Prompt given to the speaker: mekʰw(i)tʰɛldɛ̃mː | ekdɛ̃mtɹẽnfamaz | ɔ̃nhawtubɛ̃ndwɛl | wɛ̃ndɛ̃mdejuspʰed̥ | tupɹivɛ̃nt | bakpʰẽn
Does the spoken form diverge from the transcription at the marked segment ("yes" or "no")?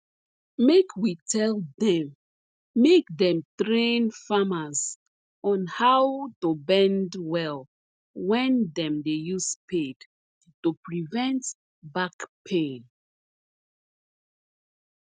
no